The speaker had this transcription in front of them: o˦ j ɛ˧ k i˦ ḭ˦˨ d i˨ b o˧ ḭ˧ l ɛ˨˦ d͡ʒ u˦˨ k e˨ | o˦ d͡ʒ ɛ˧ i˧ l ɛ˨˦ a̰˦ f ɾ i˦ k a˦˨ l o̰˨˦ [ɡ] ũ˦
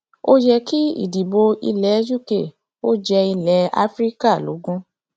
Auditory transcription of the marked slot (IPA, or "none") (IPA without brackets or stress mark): ɡ